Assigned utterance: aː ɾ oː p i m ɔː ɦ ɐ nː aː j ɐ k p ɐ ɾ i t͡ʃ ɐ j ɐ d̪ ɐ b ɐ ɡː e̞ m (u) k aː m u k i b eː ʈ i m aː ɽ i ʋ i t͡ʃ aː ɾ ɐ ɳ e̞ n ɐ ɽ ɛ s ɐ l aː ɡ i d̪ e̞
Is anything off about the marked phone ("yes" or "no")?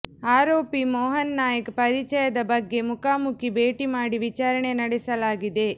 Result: no